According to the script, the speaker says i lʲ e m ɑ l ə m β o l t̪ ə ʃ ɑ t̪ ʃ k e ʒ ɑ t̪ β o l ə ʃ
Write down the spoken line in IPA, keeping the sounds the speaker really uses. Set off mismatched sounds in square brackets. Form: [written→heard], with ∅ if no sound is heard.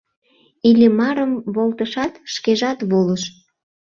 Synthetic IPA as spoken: i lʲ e m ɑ [l→ɾ] ə m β o l t̪ ə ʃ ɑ t̪ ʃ k e ʒ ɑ t̪ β o l ə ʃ